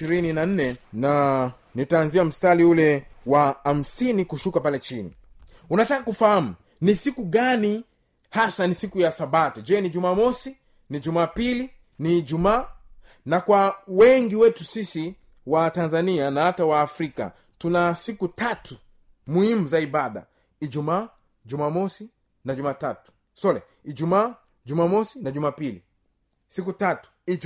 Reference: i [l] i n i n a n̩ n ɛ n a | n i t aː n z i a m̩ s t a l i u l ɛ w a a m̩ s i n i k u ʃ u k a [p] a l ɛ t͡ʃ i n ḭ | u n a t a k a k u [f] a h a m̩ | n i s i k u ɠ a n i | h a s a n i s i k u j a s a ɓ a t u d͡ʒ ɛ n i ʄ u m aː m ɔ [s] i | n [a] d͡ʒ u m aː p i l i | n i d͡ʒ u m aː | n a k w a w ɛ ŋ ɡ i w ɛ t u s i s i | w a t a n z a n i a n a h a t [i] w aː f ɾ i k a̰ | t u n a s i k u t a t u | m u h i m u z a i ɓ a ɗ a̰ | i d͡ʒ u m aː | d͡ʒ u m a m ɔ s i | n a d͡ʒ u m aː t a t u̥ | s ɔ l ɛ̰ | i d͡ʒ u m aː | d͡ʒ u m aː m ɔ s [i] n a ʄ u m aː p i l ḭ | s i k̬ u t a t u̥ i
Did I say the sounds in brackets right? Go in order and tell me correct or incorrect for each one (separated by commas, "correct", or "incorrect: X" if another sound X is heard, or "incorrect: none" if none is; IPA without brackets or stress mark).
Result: incorrect: ɾ, correct, correct, correct, incorrect: i, incorrect: a, correct